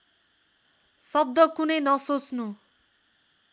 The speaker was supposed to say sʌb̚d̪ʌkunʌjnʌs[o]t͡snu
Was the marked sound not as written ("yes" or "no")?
no